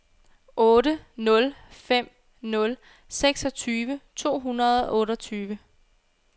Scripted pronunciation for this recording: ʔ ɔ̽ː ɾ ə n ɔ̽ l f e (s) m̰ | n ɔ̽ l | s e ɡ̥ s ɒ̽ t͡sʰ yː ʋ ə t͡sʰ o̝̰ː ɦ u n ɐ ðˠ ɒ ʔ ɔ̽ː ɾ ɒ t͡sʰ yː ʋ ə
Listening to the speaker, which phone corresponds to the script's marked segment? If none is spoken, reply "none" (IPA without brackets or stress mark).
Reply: none